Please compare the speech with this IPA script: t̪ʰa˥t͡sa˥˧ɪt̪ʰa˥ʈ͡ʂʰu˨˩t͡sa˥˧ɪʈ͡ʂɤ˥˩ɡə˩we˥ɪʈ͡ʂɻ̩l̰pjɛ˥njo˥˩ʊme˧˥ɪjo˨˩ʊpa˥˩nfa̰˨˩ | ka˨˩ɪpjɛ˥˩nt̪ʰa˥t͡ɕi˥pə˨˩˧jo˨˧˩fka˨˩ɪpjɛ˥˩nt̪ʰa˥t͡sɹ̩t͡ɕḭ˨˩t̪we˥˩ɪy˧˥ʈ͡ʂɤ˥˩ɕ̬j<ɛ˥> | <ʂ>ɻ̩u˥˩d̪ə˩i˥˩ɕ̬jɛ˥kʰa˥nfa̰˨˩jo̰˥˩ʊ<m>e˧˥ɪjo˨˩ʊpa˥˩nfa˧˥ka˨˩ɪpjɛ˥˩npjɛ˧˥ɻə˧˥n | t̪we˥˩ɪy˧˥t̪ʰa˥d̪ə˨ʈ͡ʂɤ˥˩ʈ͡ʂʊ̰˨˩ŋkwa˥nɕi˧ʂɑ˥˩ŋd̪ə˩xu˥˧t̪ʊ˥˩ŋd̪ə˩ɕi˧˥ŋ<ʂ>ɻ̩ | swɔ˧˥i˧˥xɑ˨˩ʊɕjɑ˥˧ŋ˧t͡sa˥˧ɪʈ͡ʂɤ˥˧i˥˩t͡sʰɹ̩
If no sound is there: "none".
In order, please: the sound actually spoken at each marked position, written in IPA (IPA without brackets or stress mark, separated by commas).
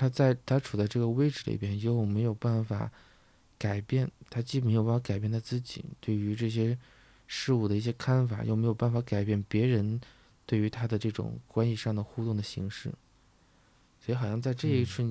ɛ˥, ʂ, m, ʂ